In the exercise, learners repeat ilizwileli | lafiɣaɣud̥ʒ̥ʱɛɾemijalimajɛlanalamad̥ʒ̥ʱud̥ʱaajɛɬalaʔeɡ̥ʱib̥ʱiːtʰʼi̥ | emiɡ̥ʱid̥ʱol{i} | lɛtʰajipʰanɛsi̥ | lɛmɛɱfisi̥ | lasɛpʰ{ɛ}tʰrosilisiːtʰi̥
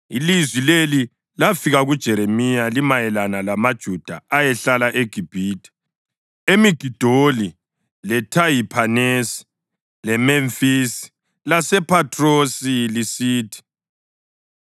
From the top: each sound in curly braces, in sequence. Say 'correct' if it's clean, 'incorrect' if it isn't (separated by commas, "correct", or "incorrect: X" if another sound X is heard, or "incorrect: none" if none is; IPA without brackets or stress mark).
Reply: correct, incorrect: a